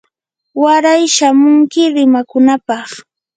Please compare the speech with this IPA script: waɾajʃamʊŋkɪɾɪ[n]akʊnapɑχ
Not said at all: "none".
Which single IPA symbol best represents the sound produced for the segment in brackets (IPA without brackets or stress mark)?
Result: m